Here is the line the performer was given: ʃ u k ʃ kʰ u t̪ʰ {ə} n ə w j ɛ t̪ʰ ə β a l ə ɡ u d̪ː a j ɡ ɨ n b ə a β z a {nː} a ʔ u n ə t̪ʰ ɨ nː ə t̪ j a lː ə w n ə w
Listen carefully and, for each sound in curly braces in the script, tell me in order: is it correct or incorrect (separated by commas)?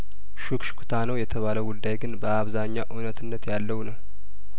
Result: incorrect, incorrect